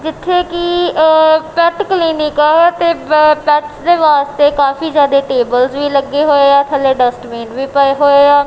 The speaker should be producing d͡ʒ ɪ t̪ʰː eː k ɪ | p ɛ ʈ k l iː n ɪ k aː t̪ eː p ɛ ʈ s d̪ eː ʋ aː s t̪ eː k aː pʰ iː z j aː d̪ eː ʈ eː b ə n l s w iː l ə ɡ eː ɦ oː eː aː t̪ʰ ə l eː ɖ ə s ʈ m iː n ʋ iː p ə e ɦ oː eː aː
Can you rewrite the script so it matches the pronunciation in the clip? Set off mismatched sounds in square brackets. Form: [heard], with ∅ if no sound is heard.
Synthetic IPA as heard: d͡ʒ ɪ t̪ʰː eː k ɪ | p ɛ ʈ k l iː n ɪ k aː t̪ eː p ɛ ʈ s d̪ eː ʋ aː s t̪ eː k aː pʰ iː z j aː d̪ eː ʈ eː b ə [∅] l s [ʋ] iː l ə ɡ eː ɦ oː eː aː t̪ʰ ə l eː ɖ ə s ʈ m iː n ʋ iː p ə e ɦ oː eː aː